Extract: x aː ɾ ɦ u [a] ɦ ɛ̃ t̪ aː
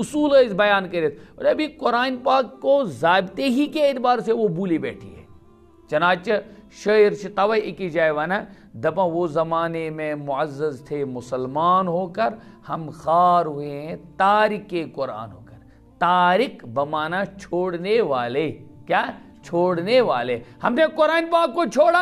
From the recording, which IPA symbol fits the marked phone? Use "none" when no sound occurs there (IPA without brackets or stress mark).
e